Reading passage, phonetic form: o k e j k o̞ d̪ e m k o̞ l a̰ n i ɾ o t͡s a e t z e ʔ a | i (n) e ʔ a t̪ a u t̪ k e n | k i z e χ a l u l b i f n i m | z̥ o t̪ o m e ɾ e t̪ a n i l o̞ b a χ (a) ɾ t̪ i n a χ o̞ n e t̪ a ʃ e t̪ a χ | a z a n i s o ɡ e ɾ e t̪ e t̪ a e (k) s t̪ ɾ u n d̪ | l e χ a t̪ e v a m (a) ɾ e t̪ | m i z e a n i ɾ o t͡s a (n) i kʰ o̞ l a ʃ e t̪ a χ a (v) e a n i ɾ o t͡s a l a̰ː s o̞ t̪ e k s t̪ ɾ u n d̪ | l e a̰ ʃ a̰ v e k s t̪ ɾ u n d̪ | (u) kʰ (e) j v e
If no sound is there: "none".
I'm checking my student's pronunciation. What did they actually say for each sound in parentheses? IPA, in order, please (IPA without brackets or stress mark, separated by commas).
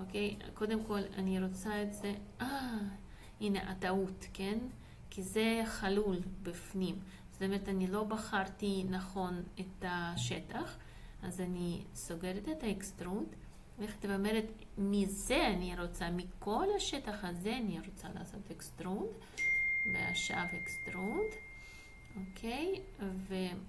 n, a, k, e, m, z, o, e